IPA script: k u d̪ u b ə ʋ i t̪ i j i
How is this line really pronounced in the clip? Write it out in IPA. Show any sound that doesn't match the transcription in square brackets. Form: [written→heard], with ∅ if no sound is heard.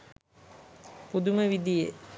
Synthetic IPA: [k→p] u d̪ u [b→m] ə ʋ i [t̪→d̪] i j [i→e]